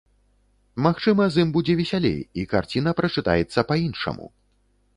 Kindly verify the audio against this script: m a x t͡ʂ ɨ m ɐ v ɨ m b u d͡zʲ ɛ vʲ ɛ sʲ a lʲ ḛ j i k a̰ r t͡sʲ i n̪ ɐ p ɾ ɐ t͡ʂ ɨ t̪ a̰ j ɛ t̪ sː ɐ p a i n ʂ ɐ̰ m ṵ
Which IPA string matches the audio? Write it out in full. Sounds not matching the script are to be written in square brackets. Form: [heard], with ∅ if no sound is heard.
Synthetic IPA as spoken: m a x t͡ʂ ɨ m ɐ [z] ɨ m b u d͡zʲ ɛ vʲ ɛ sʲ a lʲ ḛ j i k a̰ r t͡sʲ i n̪ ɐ p ɾ ɐ t͡ʂ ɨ t̪ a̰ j ɛ t̪ sː ɐ p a i n ʂ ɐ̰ m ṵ